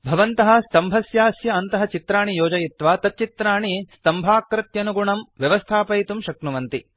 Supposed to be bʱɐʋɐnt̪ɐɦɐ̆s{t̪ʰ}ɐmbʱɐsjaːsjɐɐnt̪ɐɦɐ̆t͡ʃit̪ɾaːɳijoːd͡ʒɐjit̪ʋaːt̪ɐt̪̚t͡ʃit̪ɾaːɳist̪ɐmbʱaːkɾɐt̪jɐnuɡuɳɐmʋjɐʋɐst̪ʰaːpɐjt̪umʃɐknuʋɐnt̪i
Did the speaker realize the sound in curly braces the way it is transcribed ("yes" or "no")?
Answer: no